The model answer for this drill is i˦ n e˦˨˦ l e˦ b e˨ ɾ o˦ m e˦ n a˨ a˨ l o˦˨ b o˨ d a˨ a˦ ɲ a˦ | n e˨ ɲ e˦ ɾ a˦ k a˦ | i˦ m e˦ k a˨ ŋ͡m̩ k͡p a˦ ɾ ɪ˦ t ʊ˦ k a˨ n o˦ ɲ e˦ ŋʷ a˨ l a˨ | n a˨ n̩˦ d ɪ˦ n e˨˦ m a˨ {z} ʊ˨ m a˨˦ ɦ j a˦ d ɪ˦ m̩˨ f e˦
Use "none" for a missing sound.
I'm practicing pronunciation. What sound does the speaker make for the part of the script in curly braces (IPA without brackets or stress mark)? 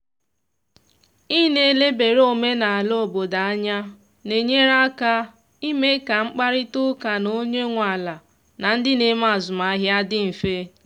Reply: z